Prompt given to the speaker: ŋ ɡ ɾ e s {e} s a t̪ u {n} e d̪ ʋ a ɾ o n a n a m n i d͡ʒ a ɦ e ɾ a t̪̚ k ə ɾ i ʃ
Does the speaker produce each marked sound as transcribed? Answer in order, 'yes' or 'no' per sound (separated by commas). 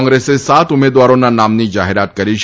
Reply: yes, no